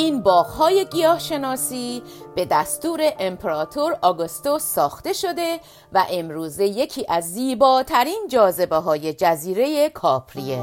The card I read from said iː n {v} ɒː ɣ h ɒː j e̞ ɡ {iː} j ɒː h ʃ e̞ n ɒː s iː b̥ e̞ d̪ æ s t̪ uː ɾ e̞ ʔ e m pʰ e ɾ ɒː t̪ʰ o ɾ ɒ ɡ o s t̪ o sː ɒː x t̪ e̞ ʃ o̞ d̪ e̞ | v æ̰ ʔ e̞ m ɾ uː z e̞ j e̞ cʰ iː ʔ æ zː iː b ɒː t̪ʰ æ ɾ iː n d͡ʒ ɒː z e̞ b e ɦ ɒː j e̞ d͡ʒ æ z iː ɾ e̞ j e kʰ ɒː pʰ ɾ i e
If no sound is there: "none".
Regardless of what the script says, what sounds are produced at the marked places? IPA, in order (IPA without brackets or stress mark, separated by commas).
b, i